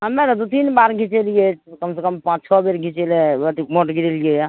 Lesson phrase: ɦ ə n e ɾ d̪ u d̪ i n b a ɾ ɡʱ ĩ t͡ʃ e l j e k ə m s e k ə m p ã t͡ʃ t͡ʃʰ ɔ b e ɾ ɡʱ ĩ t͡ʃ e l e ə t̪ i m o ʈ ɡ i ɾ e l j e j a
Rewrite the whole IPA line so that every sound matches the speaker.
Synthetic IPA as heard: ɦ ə m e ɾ d̪ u t̪ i n b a ɾ ɡʱ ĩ t͡ʃ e l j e k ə m s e k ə m p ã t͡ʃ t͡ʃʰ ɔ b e ɾ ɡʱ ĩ t͡ʃ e l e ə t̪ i m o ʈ ɡ i ɾ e l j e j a